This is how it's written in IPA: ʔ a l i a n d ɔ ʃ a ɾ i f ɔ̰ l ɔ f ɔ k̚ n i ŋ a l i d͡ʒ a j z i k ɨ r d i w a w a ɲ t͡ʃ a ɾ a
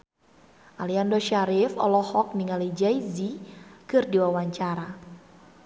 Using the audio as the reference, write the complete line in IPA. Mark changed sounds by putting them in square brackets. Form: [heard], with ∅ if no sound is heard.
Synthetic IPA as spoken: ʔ a l i a n d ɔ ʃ a ɾ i f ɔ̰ l ɔ [h] ɔ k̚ n i ŋ a l i d͡ʒ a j z i k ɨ r d i w a w a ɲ t͡ʃ a ɾ a